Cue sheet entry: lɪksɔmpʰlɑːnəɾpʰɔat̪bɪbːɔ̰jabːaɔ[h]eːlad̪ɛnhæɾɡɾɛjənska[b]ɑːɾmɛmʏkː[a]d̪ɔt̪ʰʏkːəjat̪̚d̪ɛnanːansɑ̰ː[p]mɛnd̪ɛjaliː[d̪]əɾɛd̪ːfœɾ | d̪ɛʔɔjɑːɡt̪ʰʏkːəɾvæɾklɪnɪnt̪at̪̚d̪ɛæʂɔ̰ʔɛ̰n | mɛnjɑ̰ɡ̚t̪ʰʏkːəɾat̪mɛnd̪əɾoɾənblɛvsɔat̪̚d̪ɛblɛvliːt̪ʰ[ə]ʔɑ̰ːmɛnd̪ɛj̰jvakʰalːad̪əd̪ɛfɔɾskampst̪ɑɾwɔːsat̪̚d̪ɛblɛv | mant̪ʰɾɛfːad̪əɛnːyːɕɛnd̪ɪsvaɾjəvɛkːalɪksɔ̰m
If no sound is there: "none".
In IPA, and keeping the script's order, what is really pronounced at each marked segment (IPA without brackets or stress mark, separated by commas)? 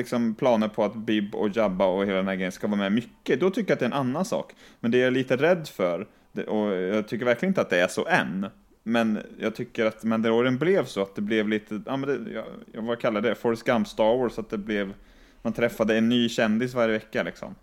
h, v, ə, k, t̪, ə